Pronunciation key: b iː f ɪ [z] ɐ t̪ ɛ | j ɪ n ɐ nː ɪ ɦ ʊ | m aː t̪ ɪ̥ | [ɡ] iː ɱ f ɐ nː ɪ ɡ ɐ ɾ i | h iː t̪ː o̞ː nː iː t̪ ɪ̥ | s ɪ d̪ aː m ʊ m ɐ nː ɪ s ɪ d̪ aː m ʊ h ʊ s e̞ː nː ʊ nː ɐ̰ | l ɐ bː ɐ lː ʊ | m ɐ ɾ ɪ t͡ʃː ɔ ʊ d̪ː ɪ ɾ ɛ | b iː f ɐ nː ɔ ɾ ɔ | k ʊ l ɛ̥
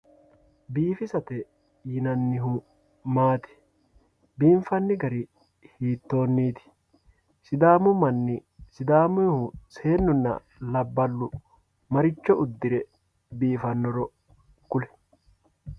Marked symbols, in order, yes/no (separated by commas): no, no